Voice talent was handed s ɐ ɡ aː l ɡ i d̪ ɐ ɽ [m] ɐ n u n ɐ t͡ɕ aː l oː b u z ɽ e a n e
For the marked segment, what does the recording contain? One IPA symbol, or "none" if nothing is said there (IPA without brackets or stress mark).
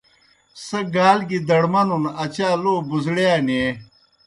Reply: m